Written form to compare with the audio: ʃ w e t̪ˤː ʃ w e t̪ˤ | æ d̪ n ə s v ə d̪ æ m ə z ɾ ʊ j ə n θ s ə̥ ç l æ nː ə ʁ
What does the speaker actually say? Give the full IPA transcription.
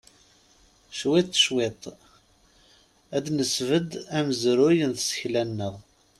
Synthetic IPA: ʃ w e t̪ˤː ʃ w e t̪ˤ | æ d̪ n ə s v ə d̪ æ m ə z ɾ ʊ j ə n θ s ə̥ ç l æ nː ə ʁ